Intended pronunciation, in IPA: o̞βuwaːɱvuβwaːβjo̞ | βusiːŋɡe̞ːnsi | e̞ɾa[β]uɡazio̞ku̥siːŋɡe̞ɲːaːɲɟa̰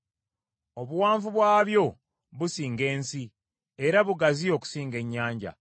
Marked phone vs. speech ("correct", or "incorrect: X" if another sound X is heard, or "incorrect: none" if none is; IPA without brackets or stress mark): correct